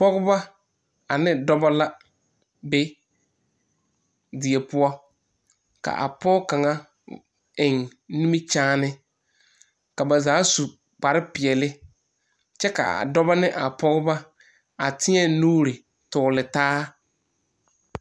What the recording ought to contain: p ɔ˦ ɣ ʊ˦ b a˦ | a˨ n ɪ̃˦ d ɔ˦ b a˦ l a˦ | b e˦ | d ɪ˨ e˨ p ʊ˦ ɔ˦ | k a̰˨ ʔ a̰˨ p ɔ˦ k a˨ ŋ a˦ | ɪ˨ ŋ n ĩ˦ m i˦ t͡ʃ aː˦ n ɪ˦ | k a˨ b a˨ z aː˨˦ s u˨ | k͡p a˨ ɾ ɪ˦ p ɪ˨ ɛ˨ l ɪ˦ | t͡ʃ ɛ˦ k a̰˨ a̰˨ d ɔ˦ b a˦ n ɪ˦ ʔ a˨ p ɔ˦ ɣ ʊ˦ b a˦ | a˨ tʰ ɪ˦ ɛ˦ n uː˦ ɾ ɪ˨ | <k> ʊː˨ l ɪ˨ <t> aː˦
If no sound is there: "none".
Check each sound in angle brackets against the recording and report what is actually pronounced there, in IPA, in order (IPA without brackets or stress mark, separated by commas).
t, t